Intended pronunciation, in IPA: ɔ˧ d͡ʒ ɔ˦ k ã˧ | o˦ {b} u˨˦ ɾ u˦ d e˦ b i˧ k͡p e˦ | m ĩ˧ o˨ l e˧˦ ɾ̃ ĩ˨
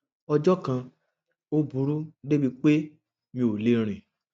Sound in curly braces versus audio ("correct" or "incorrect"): correct